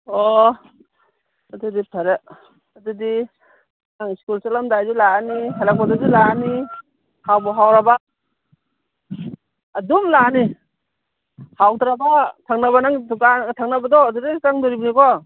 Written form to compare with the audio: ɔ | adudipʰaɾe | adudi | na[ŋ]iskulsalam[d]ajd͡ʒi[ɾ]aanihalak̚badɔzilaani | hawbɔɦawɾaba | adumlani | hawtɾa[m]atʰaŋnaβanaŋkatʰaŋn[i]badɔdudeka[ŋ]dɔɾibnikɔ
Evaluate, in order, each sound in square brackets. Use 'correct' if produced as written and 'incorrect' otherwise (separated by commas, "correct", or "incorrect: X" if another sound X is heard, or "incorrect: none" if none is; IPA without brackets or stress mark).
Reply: correct, correct, incorrect: l, incorrect: b, incorrect: a, correct